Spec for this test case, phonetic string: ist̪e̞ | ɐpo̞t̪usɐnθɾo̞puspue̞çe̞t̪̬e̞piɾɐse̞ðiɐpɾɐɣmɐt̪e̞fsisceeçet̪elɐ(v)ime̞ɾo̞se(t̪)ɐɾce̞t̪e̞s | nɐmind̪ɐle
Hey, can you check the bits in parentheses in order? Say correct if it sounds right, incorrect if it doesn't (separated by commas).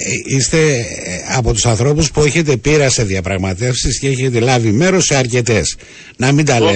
correct, incorrect